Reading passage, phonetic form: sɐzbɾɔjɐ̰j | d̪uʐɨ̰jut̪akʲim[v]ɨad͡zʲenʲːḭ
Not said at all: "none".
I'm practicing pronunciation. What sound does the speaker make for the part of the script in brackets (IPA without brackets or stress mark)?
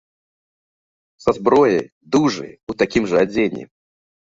ʐ